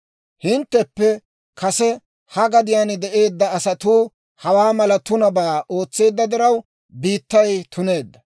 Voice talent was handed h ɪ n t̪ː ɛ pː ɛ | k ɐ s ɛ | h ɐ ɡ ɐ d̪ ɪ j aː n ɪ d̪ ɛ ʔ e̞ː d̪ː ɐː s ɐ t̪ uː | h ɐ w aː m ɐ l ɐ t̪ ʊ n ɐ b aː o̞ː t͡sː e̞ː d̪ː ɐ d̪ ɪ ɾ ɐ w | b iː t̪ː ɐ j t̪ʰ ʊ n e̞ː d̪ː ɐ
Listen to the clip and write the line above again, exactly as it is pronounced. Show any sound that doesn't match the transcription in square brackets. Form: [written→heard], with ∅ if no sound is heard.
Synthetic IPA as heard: h ɪ n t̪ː ɛ pː ɛ | k ɐ s ɛ | h ɐ ɡ ɐ d̪ ɪ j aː n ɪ d̪ ɛ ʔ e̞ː d̪ː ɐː s ɐ t̪ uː | h ɐ w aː m ɐ l ɐ t̪ ʊ n ɐ b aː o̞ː t͡sː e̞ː d̪ː ɐ d̪ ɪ ɾ ɐ w | b iː t̪ː ɐ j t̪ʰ ʊ n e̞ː d̪ː ɐ